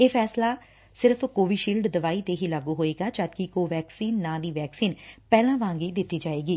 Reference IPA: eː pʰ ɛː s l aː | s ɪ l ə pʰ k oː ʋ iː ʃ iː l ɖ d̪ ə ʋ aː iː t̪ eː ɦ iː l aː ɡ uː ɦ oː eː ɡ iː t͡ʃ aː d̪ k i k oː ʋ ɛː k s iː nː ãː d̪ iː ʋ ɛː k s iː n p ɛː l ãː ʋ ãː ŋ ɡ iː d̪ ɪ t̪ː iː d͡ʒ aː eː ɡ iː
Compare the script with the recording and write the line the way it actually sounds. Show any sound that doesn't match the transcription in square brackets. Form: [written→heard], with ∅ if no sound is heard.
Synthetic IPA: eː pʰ ɛː s l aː | s ɪ [l→ɾ] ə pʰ k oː ʋ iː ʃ iː l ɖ d̪ ə ʋ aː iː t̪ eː ɦ iː l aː ɡ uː ɦ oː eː ɡ [iː→aː] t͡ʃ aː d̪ k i k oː ʋ ɛː k s iː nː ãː d̪ iː ʋ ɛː k s iː n p ɛː l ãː ʋ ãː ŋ ɡ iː d̪ ɪ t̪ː iː d͡ʒ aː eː ɡ iː